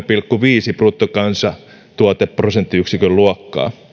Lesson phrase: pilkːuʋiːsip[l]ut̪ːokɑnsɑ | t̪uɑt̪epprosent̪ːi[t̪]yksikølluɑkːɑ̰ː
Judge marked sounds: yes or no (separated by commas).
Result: no, no